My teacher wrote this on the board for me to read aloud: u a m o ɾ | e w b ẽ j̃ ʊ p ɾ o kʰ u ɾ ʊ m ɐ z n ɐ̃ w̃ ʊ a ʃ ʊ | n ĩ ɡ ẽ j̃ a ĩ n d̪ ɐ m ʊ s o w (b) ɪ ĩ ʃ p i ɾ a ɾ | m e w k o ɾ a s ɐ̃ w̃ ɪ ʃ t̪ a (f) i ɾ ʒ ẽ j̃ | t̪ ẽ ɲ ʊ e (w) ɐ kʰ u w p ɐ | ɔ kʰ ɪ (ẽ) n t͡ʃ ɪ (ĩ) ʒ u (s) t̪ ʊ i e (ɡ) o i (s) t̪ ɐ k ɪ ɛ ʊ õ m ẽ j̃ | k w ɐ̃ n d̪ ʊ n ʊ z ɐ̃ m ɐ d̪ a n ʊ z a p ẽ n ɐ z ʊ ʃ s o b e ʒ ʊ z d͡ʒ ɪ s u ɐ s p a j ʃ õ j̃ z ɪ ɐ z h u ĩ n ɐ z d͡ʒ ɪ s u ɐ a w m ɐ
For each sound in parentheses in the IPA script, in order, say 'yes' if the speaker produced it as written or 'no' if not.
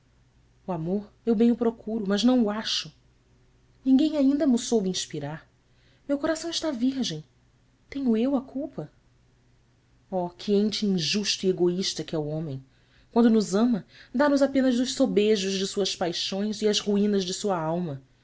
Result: yes, no, yes, yes, yes, no, yes, no

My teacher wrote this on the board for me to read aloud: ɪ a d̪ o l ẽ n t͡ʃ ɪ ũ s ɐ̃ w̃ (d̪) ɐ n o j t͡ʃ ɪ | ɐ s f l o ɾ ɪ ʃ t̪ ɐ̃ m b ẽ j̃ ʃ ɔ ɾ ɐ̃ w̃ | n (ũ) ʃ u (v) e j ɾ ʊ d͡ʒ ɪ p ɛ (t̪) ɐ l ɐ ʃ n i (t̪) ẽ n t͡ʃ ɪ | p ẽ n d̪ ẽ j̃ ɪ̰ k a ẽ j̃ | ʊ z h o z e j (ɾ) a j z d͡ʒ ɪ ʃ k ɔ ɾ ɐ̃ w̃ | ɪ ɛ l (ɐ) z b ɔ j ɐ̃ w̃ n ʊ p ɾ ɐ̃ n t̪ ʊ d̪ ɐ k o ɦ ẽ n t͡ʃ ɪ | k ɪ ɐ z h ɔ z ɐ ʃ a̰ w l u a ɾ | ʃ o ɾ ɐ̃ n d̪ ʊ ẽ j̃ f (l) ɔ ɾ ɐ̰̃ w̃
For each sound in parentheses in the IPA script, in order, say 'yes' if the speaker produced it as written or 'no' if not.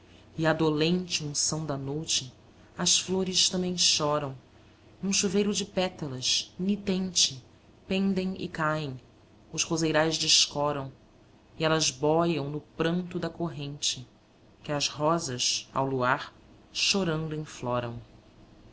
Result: yes, yes, yes, yes, yes, yes, yes, yes

